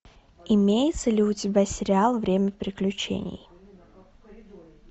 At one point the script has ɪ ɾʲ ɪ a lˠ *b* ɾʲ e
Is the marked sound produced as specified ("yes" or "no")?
no